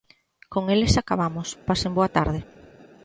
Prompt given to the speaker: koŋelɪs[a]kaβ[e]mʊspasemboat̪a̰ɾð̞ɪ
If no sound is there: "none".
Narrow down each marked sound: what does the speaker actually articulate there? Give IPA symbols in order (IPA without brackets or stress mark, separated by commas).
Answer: a, a